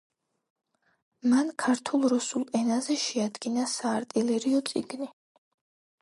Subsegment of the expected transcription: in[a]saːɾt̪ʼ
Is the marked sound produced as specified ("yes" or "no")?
yes